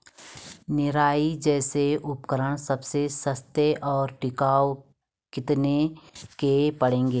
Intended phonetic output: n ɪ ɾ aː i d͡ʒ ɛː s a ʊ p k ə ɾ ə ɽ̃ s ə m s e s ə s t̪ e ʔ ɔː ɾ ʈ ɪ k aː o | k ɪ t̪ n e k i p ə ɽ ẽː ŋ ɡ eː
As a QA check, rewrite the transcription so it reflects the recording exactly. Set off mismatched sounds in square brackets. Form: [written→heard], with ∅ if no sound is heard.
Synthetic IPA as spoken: n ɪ ɾ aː i d͡ʒ ɛː s [a→e] ʊ p k ə ɾ ə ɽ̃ s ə [m→b] s e s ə s t̪ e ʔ ɔː ɾ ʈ ɪ k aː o | k ɪ t̪ n e k [i→e] p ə ɽ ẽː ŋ ɡ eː